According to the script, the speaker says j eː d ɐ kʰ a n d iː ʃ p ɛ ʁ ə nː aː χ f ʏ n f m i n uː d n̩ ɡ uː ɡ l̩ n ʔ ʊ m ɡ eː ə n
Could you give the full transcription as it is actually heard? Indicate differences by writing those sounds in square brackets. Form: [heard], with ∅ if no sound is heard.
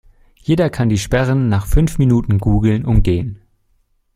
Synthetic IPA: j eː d ɐ kʰ a n d iː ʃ p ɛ ʁ ə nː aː χ f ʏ n f m i n uː [t] n̩ ɡ uː ɡ l̩ n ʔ ʊ m ɡ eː ə n